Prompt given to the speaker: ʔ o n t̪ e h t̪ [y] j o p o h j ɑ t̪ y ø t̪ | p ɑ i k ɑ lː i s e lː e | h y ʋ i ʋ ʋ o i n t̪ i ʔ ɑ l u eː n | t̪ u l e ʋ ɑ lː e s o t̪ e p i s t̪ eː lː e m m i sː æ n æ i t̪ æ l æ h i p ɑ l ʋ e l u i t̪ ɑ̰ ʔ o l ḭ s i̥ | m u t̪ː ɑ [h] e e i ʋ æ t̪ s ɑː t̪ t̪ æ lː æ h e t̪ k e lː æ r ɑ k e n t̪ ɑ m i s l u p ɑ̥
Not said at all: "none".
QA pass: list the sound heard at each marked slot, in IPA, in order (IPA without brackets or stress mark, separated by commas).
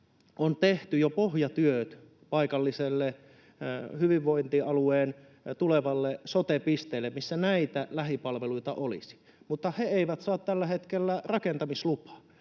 y, h